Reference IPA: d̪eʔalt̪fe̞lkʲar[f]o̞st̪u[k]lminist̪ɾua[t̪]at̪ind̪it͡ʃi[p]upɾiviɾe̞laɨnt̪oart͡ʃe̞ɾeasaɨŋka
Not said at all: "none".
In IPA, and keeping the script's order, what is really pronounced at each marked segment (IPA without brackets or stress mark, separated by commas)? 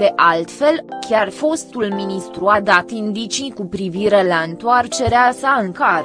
f, none, d̪, k